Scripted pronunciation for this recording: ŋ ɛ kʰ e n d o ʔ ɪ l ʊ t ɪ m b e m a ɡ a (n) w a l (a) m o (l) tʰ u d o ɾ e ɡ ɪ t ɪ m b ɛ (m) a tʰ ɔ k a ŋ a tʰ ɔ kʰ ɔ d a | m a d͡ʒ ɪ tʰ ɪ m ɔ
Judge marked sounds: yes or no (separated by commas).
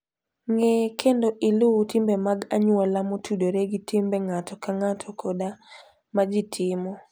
no, yes, no, no